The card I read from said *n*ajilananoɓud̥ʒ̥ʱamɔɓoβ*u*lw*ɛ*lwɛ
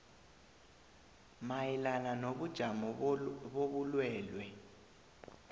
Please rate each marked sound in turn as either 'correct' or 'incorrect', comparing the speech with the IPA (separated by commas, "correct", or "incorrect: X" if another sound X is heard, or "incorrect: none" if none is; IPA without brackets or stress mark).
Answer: incorrect: m, correct, incorrect: ɛː